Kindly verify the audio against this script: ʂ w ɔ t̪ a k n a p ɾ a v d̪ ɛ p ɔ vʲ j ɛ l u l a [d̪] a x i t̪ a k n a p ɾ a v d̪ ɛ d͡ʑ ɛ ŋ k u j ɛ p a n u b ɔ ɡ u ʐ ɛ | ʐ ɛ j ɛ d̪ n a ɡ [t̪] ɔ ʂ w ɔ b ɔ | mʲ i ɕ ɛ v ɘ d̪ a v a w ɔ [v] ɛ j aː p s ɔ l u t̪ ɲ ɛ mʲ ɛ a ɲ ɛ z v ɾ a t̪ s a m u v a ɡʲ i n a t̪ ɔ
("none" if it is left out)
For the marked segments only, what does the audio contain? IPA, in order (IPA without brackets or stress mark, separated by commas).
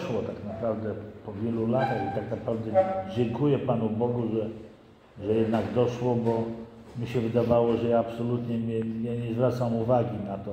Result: t̪, d̪, ʐ